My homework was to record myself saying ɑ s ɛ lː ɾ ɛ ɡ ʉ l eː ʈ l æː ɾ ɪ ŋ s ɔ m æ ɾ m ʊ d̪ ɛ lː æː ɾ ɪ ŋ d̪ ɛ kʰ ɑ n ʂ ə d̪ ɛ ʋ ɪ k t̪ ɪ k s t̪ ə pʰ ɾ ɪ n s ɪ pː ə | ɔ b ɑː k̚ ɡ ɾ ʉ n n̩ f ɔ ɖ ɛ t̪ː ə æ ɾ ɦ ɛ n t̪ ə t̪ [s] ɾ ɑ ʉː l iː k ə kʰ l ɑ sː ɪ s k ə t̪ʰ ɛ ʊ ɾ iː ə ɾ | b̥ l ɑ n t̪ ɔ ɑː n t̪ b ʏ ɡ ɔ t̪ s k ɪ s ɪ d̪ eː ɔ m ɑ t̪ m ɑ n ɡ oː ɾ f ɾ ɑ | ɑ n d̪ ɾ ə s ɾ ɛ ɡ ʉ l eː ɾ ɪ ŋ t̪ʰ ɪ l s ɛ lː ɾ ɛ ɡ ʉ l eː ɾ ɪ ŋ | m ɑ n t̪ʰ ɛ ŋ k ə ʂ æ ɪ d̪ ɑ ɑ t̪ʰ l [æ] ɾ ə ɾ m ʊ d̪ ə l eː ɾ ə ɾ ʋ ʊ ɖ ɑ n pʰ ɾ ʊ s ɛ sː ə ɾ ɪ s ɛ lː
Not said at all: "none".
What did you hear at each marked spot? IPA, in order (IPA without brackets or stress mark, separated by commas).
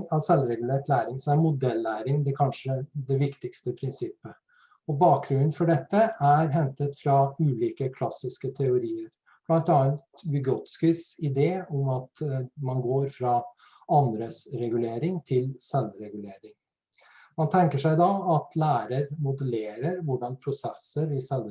f, æː